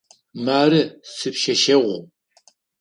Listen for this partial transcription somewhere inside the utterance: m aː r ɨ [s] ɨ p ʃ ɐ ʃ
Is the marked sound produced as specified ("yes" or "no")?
yes